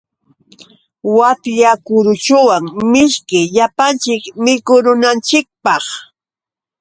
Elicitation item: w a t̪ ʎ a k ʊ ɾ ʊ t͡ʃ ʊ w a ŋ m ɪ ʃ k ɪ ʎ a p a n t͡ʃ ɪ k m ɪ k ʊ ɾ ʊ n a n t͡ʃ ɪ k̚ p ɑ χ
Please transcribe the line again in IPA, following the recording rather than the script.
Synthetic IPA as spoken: w a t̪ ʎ a k ʊ ɾ ʊ t͡ʃ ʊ w a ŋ m ɪ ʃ k ɪ ʎ a p a n t͡ʃ ɪ k m ɪ k ʊ ɾ ʊ n a n t͡ʃ ɪ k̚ p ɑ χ